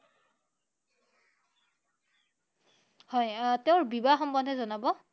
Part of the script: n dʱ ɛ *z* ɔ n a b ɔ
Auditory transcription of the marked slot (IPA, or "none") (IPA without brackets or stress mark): z